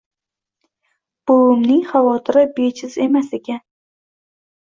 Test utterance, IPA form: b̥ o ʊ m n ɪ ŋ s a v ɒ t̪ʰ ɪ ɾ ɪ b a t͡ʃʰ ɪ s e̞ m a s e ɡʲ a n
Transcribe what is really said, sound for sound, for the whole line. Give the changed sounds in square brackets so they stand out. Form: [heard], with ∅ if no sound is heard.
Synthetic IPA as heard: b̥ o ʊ m n ɪ ŋ [χ] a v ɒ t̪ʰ ɪ ɾ ɪ b [e] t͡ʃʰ ɪ [z] e̞ m a s e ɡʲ a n